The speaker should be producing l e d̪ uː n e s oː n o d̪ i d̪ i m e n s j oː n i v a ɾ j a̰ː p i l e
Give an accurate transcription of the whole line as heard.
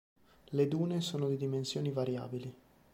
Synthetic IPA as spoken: l e d̪ uː n e s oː n o d̪ i d̪ i m e n s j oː n i v a ɾ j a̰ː b i l i